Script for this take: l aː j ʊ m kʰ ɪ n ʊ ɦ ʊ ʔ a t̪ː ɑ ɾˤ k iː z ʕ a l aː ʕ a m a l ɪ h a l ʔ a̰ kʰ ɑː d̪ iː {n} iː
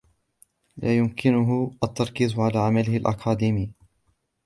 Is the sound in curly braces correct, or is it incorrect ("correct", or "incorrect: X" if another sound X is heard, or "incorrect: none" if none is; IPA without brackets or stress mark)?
incorrect: m